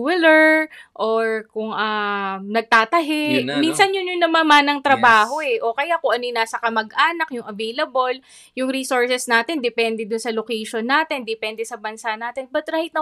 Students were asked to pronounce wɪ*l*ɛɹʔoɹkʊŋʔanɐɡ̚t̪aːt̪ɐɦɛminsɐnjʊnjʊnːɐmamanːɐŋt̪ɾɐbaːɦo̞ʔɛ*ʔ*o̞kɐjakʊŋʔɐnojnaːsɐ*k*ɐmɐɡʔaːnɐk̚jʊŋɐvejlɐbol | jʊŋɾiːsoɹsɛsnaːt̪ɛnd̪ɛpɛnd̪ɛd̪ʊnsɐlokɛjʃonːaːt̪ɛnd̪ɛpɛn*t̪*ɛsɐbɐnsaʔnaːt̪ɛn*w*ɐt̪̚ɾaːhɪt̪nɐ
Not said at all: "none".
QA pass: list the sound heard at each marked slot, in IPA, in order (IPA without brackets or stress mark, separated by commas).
l, ʔ, k, d̪, b